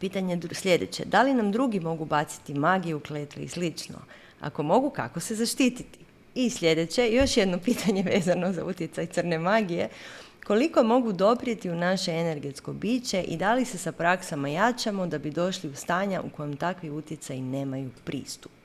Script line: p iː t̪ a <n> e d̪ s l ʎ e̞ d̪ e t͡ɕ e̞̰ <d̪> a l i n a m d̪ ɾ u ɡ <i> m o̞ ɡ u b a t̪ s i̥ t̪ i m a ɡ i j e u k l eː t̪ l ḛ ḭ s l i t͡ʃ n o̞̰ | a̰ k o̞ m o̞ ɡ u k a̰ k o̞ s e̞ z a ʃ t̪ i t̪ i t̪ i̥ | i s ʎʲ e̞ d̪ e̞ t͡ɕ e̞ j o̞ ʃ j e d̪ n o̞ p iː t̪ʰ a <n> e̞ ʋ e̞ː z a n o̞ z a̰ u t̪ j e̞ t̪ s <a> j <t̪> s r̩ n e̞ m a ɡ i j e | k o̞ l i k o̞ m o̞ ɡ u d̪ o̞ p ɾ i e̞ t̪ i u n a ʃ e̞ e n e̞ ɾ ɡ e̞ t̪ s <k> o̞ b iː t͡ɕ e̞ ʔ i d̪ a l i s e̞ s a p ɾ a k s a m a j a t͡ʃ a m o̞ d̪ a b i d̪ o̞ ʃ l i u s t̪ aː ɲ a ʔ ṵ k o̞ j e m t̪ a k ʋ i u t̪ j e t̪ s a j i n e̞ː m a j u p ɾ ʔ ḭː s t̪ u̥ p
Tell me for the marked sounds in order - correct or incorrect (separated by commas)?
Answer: incorrect, correct, correct, incorrect, correct, correct, correct